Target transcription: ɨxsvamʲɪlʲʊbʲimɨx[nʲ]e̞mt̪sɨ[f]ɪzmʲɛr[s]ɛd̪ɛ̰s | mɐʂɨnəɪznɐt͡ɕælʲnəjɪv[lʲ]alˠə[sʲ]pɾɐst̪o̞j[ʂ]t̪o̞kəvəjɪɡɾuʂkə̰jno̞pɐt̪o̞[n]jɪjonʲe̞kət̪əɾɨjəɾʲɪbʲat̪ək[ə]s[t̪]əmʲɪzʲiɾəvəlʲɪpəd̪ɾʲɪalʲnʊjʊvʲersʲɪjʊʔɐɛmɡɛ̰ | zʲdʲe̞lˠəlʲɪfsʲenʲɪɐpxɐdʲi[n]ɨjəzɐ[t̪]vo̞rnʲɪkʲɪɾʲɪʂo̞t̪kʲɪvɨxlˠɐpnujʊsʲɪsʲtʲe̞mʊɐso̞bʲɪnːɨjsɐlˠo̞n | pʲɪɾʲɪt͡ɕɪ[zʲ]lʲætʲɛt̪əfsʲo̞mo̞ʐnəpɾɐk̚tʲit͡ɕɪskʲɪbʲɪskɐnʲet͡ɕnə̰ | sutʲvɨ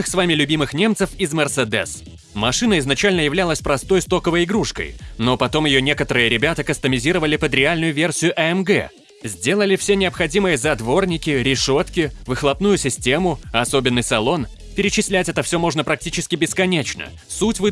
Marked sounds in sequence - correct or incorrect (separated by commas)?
correct, correct, correct, correct, correct, incorrect, incorrect, correct, correct, incorrect, incorrect, incorrect